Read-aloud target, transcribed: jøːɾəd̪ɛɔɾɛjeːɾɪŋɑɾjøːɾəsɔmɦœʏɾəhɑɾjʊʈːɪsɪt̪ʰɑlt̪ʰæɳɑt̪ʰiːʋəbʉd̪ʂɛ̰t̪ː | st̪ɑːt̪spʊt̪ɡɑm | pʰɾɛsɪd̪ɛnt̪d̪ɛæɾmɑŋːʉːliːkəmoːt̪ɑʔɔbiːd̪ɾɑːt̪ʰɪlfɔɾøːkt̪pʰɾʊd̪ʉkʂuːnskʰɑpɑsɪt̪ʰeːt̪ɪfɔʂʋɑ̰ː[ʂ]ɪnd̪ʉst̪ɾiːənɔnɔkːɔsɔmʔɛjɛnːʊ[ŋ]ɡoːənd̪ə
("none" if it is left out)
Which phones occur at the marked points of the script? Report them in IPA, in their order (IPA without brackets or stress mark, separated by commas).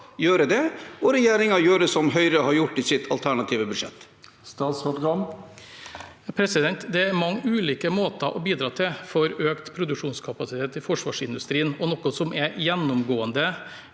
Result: ʂ, m